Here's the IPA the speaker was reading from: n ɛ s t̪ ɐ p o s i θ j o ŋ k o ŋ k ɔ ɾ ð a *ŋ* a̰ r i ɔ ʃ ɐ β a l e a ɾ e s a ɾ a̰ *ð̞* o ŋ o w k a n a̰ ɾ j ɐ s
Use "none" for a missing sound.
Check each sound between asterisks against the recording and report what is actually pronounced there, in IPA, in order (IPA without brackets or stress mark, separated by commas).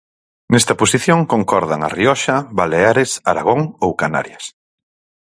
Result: ŋ, ɣ̞